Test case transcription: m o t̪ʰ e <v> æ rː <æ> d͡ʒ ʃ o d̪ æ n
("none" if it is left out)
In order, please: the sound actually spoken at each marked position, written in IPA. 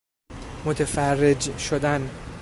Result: f, e

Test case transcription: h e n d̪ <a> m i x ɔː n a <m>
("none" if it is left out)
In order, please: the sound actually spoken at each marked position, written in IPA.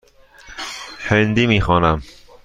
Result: i, m

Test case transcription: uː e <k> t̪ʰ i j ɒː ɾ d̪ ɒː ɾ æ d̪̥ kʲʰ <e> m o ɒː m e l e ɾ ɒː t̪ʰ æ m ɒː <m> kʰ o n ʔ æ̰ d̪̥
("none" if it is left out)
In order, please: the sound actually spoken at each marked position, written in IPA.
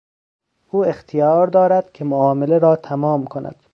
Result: x, e, m

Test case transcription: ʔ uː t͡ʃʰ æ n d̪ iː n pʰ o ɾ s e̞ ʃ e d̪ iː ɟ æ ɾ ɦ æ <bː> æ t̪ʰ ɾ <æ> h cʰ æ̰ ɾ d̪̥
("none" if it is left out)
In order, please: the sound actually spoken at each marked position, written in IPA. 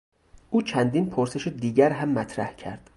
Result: mː, æ

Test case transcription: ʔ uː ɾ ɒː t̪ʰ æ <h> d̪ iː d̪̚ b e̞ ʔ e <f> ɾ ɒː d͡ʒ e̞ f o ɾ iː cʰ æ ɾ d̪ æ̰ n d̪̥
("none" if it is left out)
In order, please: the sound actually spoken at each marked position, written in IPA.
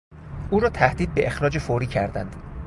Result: h, x

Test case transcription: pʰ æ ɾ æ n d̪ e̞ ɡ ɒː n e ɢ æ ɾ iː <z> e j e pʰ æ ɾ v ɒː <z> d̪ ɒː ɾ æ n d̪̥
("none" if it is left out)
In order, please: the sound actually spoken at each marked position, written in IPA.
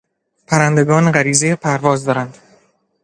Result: z, z

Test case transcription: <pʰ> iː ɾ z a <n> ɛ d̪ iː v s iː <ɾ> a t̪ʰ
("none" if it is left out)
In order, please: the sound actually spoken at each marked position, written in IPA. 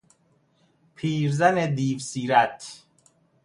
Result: pʰ, n, ɾ

